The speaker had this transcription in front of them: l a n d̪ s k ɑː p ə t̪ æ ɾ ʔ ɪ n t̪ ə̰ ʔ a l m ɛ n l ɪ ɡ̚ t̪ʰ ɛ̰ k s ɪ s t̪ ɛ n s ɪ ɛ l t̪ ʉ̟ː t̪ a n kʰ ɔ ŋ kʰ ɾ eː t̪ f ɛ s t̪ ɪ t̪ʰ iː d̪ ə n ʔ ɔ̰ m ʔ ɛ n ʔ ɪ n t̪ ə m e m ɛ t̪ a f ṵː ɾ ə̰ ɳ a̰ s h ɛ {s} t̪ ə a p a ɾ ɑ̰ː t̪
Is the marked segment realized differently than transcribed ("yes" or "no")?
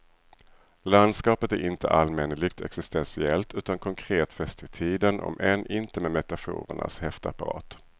yes